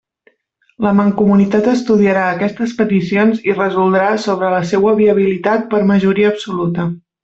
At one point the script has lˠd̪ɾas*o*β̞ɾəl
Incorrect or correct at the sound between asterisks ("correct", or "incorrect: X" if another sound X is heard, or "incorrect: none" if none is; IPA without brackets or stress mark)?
correct